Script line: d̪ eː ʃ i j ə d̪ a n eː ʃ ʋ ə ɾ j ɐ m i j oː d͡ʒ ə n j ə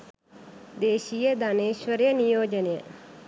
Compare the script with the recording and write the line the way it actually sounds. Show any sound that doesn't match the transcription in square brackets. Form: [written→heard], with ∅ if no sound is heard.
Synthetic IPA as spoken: d̪ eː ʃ i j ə d̪ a n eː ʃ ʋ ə ɾ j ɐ [m→n] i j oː d͡ʒ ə n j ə